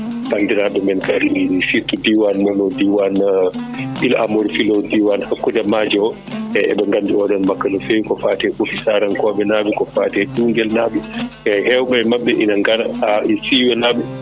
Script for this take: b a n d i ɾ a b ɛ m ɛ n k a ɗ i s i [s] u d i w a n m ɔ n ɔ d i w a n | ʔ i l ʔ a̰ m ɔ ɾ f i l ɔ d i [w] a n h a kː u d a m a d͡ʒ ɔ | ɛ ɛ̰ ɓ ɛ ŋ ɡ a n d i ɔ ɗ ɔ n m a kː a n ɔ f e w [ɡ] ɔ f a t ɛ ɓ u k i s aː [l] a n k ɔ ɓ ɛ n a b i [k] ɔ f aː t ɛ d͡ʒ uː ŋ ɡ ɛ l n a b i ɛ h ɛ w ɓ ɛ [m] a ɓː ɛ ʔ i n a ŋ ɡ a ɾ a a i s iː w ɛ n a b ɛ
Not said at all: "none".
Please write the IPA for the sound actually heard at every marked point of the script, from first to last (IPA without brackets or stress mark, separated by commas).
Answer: t, w, k, ɾ, k, m